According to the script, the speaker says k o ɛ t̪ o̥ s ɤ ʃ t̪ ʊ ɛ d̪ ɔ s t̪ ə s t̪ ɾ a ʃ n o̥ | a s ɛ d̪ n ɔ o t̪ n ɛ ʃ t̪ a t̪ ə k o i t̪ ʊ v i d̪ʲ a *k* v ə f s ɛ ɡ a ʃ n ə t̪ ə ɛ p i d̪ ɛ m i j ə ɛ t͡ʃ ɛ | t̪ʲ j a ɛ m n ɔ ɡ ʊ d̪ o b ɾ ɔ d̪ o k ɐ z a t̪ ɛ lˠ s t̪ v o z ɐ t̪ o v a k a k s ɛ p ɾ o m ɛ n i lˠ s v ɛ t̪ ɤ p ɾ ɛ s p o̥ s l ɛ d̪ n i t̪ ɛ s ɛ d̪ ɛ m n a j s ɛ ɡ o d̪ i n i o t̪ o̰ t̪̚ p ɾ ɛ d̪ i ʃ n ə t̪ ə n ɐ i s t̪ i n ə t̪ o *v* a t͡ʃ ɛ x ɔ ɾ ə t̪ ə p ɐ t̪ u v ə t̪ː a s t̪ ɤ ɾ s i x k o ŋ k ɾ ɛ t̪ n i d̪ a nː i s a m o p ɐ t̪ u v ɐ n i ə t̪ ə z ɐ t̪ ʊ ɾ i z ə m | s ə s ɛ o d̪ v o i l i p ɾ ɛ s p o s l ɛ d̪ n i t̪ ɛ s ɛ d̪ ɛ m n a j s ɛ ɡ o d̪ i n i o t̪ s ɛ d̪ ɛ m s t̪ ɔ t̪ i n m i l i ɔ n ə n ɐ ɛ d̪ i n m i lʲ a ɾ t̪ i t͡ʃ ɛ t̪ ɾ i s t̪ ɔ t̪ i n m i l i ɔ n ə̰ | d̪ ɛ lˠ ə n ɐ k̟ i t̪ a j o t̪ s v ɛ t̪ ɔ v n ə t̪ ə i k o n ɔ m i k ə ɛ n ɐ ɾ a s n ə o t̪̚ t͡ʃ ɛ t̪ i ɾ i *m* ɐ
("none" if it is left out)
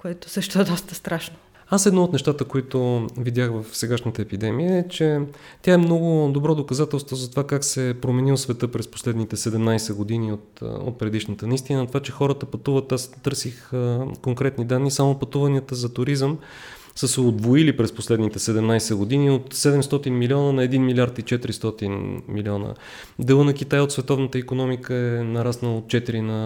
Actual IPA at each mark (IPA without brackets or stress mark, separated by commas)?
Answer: x, v, n